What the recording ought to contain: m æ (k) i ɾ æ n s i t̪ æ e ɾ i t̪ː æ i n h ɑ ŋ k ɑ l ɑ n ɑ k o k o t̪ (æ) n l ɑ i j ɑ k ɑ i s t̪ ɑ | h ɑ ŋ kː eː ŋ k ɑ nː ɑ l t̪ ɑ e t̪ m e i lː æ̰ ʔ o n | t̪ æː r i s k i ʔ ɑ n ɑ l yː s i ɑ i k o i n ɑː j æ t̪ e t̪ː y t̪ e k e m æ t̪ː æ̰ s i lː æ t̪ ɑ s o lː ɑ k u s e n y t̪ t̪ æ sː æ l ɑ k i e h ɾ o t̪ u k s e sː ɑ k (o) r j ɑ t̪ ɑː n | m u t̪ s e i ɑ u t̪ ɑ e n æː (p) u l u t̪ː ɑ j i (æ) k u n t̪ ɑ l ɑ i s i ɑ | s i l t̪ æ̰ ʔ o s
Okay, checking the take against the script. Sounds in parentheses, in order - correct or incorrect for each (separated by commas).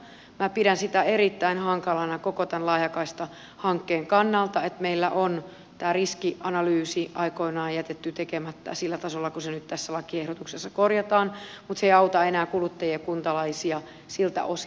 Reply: incorrect, correct, correct, incorrect, incorrect